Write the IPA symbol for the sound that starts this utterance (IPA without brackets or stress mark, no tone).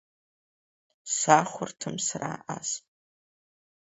s